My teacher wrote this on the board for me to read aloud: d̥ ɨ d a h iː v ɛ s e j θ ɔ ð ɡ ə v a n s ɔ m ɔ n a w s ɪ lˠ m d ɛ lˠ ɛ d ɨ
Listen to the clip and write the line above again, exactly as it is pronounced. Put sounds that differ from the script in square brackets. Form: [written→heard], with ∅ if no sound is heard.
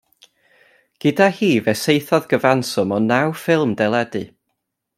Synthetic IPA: [d̥→ɡ̥] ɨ d a h iː v ɛ s e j θ ɔ ð ɡ ə v a n s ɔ m ɔ n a w [s→f] ɪ lˠ m d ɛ lˠ ɛ d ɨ